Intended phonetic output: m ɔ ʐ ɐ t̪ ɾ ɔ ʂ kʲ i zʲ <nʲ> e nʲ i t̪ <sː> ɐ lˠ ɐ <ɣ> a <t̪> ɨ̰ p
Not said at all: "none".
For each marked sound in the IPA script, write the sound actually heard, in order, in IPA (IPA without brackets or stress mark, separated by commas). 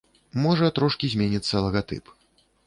mʲ, sː, ɣ, t̪